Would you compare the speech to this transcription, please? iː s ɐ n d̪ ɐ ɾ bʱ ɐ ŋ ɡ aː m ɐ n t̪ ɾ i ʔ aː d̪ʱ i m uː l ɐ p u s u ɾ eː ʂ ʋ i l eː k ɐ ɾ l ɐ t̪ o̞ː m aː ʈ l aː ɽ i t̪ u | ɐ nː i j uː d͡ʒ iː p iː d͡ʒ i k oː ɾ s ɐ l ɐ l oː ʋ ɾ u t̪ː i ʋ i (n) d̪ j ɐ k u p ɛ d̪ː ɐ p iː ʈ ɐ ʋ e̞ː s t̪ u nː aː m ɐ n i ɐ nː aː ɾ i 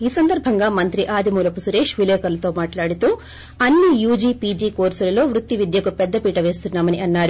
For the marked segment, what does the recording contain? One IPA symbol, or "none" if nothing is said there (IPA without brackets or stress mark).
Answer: none